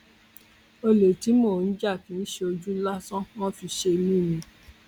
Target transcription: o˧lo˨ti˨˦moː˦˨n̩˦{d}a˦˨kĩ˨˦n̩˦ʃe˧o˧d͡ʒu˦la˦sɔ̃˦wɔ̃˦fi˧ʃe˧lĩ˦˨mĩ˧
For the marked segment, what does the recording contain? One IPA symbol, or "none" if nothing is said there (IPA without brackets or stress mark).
d͡ʒ